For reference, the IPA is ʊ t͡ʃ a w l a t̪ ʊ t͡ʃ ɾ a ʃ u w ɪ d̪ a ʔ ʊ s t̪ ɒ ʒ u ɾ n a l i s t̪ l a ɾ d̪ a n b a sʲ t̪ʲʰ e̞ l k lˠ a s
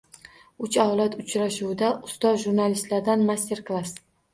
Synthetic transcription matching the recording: ʊ t͡ʃ a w l a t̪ ʊ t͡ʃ ɾ a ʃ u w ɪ d̪ a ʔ ʊ s t̪ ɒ ʒ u ɾ n a l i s t̪ l a ɾ d̪ a n m a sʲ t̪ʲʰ e̞ ɾ k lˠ a s